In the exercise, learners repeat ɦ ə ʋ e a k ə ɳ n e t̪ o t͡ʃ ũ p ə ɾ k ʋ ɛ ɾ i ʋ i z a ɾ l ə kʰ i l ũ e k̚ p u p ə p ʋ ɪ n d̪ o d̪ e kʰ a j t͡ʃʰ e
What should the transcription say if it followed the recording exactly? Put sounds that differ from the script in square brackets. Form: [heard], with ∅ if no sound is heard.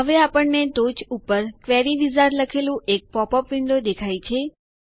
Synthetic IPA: ɦ ə ʋ e a [p] ə ɳ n e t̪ o t͡ʃ [u] p ə ɾ k ʋ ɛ ɾ i ʋ i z a ɾ l ə kʰ [e] l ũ e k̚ p [ɔ] p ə p ʋ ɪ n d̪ o d̪ e kʰ a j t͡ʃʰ e